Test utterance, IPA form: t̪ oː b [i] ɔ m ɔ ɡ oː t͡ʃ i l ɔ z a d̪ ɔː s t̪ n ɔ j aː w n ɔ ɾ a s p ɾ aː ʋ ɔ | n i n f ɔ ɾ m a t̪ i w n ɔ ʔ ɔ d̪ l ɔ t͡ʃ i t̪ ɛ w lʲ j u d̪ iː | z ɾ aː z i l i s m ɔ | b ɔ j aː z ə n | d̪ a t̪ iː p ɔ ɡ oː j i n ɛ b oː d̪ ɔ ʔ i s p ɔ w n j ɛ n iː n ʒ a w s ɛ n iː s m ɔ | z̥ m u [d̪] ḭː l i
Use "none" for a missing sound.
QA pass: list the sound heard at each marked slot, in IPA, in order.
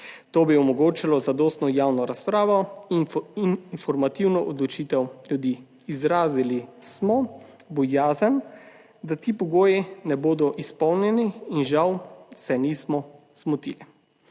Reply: i, t̪

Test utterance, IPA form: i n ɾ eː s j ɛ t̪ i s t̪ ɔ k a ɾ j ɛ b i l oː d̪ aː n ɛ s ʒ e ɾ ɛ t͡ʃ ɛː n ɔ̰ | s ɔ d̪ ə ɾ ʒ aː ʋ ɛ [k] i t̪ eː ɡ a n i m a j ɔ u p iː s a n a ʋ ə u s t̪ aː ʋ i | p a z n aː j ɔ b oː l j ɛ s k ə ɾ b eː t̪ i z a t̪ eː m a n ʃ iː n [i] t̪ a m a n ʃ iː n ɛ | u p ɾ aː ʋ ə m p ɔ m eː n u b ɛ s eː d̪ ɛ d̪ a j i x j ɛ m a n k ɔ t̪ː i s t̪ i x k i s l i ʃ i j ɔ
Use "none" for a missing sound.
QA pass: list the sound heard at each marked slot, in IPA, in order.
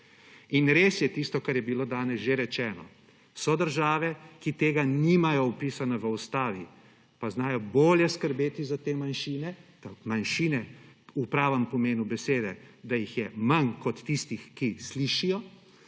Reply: k, ɛ

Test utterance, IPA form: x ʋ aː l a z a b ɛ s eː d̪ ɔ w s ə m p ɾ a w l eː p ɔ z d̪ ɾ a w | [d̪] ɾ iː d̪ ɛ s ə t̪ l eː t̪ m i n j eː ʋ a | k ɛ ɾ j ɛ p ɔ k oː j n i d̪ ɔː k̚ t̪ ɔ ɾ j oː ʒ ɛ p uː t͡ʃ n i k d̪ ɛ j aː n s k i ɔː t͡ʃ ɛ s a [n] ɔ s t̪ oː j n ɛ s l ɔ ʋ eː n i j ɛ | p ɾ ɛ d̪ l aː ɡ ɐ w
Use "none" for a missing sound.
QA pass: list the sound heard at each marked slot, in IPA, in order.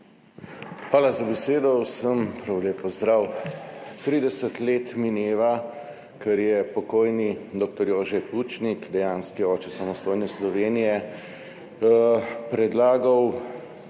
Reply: t̪, m

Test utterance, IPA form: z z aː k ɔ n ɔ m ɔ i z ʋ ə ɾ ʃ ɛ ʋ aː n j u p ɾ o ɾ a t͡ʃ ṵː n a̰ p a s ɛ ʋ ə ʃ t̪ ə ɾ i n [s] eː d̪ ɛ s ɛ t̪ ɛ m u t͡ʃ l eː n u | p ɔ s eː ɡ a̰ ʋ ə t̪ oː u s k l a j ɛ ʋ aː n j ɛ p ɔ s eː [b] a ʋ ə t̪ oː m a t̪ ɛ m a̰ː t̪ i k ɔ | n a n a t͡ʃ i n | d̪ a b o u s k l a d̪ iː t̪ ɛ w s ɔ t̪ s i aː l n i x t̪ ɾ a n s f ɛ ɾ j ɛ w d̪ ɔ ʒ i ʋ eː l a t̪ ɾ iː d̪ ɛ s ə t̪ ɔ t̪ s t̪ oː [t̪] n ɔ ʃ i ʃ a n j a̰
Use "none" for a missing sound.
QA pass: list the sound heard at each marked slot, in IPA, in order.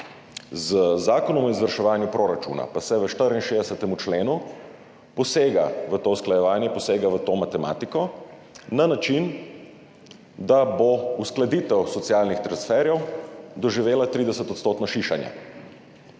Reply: ʃ, ɡ, t̪

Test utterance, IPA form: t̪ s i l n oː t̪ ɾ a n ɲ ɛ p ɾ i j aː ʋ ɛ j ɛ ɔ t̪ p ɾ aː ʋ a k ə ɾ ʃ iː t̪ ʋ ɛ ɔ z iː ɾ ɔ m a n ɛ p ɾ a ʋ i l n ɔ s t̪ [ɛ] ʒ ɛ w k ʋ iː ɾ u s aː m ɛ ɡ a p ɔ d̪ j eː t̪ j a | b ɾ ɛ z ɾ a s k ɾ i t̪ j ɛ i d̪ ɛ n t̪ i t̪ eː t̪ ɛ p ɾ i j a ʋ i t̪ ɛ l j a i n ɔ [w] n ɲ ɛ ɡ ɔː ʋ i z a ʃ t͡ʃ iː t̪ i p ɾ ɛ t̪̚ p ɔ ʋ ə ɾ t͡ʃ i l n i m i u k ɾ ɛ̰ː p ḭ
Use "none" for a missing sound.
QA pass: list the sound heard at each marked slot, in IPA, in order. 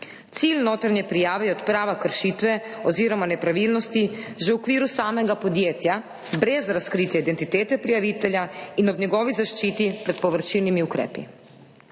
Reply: i, b

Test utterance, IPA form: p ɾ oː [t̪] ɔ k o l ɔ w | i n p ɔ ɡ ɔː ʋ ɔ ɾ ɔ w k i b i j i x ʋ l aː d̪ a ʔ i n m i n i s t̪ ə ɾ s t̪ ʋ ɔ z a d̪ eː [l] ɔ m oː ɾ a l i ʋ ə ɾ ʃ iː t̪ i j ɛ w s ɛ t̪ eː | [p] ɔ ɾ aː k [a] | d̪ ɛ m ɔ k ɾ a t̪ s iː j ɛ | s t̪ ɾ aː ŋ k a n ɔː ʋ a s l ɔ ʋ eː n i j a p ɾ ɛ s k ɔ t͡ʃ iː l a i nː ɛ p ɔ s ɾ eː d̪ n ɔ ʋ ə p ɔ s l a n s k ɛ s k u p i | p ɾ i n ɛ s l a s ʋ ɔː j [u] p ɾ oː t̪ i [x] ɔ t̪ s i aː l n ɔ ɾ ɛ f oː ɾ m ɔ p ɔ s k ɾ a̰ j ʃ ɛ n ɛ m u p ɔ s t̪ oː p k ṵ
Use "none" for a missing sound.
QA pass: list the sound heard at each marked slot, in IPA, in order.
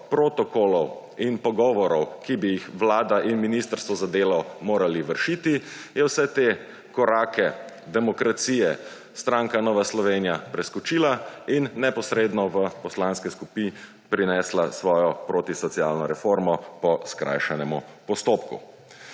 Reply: t̪, l, k, ɛ, ɔ, s

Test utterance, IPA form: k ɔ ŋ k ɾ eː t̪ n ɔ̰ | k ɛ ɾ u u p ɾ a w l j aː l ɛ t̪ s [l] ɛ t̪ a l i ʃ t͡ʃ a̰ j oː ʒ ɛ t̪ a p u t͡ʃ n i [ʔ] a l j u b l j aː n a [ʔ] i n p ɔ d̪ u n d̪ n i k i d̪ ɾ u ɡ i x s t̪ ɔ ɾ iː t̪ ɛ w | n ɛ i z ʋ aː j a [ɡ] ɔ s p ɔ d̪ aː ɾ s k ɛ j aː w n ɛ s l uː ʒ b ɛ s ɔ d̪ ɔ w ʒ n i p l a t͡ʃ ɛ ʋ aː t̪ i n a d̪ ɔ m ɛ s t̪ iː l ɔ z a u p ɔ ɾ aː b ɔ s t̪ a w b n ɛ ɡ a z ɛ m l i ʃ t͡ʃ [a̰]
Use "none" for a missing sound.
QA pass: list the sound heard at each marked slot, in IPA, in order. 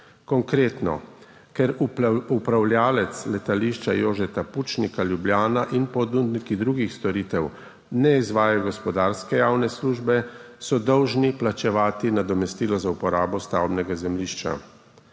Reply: l, k, ʔ, ɡ, a̰

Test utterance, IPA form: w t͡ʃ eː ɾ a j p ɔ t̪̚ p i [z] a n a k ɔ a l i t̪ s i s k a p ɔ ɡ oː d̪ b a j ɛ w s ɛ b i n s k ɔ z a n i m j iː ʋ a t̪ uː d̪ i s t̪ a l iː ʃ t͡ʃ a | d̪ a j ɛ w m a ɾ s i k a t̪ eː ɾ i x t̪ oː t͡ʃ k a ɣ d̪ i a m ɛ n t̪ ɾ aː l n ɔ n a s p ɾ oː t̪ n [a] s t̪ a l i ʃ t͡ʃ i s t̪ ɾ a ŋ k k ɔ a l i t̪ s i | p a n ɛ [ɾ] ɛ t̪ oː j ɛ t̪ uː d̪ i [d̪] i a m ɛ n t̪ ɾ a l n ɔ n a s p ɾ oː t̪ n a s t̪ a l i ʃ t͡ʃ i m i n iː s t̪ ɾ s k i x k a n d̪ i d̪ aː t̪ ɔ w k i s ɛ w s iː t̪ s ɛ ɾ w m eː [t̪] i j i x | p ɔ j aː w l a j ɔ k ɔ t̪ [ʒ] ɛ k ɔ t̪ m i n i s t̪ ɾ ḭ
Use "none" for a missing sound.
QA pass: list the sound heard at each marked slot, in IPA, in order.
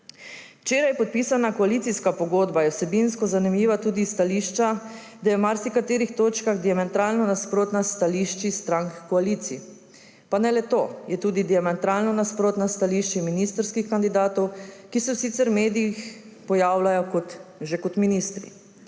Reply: s, a, l, d̪, d̪, ʒ

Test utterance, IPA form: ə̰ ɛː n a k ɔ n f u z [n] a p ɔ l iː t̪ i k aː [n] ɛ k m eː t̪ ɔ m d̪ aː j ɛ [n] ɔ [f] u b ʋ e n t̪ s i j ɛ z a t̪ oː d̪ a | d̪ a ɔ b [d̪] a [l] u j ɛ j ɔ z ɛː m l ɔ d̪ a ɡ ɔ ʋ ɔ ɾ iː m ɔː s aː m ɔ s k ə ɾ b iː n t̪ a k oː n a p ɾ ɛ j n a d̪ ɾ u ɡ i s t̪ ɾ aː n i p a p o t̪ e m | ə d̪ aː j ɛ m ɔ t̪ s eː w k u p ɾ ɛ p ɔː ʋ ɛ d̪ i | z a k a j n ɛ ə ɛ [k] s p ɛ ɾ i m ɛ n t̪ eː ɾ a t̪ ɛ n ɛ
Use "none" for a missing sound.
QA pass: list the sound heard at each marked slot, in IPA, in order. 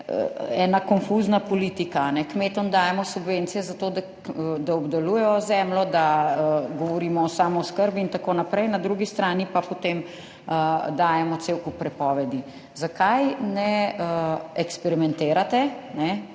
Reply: n, n, m, s, d̪, l, k

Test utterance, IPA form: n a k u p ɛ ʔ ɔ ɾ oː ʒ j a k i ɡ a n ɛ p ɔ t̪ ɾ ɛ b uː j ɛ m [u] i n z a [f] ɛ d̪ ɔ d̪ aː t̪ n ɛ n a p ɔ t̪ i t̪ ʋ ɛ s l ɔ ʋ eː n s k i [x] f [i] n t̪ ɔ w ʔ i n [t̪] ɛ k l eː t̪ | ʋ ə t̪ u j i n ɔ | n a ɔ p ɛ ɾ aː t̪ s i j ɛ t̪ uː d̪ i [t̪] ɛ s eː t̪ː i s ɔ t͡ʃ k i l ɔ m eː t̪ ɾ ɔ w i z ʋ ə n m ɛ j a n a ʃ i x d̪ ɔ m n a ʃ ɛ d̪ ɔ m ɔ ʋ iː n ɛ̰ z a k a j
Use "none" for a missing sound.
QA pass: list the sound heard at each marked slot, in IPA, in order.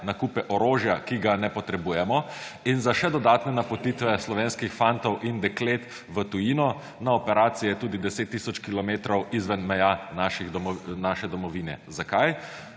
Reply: ɔ, ʃ, x, a, d̪, d̪

